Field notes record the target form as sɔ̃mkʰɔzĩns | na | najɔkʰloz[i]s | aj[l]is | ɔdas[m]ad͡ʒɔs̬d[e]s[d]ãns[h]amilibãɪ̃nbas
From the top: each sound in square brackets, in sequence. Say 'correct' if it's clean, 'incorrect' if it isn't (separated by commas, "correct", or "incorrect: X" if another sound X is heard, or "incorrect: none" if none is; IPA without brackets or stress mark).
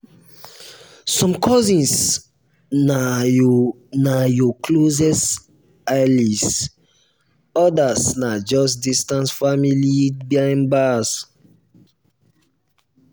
incorrect: ɛ, correct, incorrect: n, incorrect: i, incorrect: t, incorrect: f